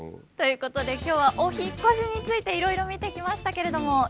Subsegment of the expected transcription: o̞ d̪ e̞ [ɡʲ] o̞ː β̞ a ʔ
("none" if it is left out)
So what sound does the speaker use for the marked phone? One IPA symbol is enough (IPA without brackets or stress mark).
kʲ